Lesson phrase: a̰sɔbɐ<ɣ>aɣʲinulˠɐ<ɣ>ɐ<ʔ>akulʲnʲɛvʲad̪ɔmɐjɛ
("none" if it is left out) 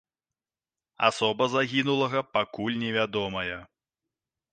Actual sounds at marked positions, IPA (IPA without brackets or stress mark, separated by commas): z, ɣ, p